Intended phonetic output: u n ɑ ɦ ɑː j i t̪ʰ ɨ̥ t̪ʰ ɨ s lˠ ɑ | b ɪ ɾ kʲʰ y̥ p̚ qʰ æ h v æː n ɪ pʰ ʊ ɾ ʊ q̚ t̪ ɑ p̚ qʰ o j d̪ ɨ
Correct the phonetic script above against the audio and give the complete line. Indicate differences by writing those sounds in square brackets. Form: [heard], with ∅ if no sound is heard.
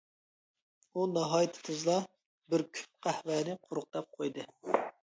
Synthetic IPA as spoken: u n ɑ ɦ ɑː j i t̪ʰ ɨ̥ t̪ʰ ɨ [z] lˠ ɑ | b ɪ ɾ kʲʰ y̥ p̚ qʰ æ h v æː n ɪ [qʰ] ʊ ɾ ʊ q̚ t̪ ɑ p̚ qʰ o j d̪ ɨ